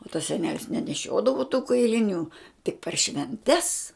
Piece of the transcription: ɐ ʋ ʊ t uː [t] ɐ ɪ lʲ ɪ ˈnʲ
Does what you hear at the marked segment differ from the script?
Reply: yes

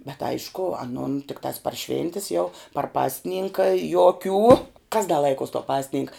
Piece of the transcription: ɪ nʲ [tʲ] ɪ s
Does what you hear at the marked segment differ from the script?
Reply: no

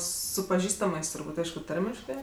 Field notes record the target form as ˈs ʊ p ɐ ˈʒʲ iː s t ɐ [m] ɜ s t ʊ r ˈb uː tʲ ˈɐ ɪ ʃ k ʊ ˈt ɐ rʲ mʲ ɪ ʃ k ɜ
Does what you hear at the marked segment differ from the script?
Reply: no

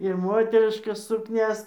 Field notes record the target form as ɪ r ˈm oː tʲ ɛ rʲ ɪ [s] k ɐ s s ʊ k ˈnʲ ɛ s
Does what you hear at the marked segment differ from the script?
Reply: yes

